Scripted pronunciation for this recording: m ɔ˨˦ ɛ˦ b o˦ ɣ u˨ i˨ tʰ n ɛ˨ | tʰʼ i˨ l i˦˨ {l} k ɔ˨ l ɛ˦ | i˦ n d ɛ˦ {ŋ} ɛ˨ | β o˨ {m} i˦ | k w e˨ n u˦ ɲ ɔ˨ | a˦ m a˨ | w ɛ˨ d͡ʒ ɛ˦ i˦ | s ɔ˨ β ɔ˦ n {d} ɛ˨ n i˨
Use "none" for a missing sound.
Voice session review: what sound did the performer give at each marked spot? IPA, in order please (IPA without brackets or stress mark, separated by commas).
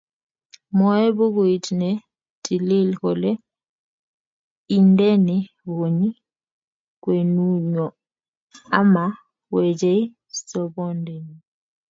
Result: l, n, ɲ, d